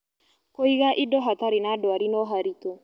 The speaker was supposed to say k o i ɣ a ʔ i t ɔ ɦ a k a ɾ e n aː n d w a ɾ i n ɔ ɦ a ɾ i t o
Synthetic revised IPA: k o i ɣ a ʔ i d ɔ ɦ a t a ɾ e n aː d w a ɾ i n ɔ ɦ a ɾ i t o